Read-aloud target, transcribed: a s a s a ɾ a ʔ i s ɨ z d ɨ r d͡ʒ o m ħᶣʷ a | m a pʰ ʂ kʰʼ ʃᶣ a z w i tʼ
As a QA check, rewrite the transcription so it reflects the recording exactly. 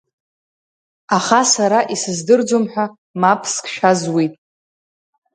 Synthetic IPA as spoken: a χ a s a ɾ a ʔ i s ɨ z d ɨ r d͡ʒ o m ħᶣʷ a | m a pʰ s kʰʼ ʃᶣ a z w i tʼ